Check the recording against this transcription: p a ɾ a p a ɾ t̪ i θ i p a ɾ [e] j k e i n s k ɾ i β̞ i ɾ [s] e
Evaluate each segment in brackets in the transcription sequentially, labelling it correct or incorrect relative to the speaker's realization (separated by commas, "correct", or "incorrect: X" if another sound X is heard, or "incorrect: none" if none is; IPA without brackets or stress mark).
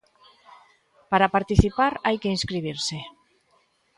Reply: incorrect: a, correct